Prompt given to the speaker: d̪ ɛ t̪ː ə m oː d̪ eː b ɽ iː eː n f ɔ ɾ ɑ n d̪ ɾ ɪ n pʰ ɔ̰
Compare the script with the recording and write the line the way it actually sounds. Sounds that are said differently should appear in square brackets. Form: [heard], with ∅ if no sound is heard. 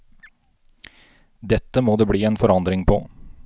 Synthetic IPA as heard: d̪ ɛ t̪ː ə m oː d̪ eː b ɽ iː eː n f ɔ ɾ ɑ n d̪ ɾ ɪ [ŋ] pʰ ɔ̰